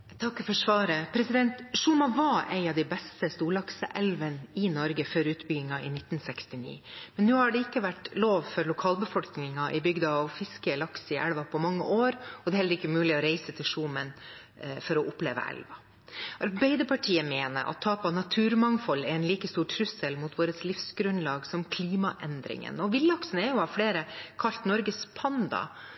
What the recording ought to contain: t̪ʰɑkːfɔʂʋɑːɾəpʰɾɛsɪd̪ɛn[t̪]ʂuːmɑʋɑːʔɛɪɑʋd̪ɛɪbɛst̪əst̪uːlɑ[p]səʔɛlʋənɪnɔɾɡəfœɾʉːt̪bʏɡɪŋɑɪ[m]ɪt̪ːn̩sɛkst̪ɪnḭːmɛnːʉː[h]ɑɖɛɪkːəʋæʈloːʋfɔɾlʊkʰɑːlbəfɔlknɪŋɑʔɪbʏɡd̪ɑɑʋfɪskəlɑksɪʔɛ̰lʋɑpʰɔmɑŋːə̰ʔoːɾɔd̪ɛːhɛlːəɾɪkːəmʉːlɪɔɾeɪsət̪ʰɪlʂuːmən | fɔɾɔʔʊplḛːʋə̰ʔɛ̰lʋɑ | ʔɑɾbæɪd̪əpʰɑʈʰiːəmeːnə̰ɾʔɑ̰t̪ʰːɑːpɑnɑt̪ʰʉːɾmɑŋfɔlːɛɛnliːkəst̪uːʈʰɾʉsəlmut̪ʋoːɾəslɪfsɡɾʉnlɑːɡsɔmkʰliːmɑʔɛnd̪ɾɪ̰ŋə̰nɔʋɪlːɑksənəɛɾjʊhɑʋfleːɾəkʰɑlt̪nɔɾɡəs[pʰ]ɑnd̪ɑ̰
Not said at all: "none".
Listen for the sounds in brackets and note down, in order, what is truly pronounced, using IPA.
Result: t̪, k, n, h, pʰ

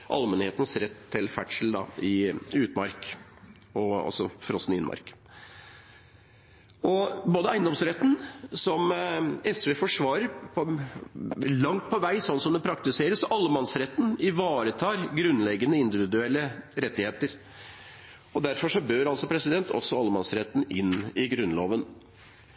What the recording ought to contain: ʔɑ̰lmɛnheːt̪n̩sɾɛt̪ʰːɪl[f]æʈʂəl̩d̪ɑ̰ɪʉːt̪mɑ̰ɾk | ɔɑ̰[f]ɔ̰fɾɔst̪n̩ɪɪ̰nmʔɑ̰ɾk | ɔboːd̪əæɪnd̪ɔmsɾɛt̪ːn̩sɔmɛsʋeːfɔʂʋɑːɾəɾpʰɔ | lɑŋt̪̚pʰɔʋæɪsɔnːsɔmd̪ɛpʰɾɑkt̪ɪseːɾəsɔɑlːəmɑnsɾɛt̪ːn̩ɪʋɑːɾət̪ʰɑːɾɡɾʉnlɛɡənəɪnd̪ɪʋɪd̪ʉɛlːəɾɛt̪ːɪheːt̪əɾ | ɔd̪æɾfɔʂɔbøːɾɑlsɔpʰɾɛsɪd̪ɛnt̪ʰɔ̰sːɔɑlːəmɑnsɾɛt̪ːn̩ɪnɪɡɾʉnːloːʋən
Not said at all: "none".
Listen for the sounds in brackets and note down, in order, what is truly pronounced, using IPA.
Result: f, s

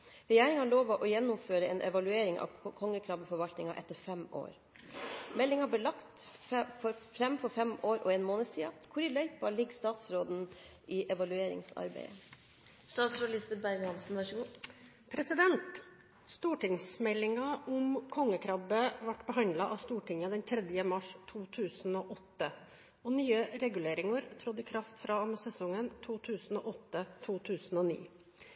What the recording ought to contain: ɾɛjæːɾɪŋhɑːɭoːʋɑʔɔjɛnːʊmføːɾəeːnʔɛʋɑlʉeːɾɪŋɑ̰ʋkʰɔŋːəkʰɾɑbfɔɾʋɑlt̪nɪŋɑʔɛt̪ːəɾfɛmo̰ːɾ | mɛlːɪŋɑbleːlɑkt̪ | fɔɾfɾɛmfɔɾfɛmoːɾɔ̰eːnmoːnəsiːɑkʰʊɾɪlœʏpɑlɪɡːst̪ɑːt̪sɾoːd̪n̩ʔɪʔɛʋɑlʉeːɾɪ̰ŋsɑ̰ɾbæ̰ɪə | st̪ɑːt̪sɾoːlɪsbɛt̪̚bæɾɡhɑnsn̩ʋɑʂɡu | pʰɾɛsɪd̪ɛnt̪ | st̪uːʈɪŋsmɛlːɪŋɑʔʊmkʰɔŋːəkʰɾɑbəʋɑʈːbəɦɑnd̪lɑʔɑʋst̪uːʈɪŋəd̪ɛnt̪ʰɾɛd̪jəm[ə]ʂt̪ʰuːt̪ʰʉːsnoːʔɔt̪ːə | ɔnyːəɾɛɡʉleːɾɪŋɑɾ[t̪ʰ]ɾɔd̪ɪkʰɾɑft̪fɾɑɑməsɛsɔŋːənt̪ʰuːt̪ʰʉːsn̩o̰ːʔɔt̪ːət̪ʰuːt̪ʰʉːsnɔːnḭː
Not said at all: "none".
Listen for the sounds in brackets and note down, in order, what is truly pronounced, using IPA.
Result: ɑ, t̪ʰ

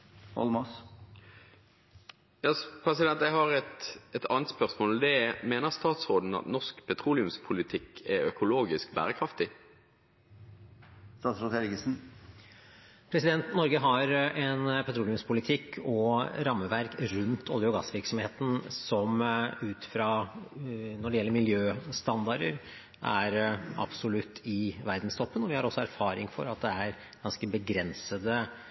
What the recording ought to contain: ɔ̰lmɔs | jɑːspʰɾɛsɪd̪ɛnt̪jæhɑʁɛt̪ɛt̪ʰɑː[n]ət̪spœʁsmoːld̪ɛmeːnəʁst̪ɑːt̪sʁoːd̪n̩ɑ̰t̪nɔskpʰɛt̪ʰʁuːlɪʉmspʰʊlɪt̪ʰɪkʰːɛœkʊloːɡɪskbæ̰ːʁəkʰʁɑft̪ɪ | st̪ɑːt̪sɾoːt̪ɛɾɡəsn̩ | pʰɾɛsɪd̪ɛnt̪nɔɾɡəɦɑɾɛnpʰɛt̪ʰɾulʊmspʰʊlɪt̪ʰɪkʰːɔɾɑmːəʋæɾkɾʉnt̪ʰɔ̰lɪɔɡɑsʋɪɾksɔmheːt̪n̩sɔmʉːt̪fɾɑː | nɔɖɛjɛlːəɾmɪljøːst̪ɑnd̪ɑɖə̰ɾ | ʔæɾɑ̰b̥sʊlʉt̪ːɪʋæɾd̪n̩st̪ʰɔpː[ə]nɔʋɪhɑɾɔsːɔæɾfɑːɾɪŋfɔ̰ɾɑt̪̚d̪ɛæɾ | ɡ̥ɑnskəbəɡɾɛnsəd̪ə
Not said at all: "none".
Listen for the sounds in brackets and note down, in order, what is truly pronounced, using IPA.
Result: n, ə

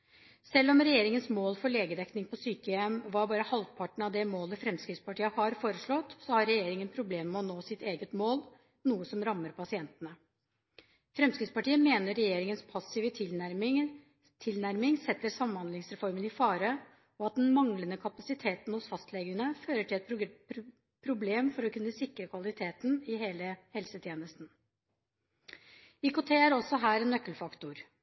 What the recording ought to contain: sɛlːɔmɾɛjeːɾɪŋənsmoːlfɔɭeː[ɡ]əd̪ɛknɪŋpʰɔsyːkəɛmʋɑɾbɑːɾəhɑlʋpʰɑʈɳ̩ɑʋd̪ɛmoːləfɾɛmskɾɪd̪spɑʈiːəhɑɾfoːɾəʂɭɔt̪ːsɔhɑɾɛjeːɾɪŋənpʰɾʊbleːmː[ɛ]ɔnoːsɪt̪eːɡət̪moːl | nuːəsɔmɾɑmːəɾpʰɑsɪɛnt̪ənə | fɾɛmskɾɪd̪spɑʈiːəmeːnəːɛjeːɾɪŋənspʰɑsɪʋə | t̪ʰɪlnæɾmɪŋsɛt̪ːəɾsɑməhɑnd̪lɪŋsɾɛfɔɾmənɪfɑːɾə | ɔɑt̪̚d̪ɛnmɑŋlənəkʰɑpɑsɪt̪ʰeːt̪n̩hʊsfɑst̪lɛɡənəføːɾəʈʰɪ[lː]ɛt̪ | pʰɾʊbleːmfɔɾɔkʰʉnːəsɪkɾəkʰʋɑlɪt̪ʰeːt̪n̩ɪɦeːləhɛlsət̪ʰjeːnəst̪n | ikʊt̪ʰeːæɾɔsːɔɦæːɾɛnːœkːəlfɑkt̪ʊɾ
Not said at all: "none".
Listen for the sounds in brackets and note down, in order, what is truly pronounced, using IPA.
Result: ɡ, ɛ, l

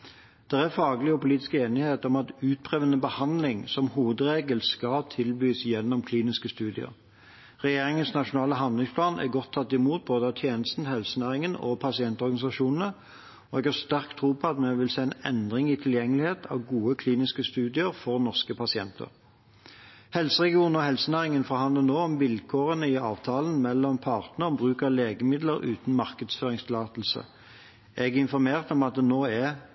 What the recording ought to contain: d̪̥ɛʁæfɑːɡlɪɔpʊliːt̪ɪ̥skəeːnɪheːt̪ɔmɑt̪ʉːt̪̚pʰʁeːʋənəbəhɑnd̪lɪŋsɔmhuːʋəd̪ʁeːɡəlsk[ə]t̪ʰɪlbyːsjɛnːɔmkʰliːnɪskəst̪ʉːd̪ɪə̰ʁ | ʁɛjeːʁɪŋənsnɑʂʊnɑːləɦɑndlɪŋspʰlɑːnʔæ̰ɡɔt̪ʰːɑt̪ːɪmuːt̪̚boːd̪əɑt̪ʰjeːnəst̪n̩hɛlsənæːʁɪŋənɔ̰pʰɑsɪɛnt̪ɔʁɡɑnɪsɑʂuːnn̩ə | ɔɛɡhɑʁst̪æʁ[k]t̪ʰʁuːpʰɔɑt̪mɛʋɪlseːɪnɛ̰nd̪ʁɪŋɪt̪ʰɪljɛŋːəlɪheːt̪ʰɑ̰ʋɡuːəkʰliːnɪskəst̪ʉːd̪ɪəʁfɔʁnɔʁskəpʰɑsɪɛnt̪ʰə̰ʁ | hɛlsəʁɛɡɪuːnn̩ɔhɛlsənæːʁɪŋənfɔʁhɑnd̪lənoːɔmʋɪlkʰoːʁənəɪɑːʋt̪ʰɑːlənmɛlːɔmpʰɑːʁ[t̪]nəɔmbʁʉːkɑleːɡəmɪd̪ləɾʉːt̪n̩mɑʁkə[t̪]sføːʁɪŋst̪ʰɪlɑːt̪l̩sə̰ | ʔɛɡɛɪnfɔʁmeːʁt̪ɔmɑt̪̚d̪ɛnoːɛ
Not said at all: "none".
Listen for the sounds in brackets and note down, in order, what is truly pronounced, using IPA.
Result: ɑ, k, t̪, d̪

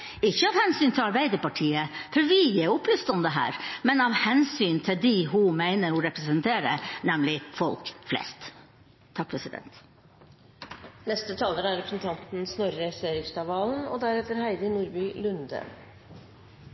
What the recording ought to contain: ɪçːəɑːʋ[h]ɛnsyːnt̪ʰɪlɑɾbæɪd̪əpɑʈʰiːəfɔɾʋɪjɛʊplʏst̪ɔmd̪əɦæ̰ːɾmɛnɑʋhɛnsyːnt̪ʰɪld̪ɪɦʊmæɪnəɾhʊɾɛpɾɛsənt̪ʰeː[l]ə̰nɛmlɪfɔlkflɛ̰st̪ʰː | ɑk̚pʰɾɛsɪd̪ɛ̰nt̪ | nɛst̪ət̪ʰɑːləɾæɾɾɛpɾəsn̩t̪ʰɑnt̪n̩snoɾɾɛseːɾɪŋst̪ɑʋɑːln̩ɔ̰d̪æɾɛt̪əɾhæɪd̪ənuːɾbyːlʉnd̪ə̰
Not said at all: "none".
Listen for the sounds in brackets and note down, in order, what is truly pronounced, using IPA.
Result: h, ɾ

